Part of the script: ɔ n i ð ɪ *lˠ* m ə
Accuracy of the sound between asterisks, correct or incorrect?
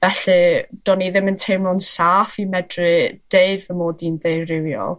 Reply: incorrect